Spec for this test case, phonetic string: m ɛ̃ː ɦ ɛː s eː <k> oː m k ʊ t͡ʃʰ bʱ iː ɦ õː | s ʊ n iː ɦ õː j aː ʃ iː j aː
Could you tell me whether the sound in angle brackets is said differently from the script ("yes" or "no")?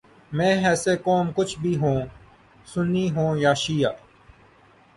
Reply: no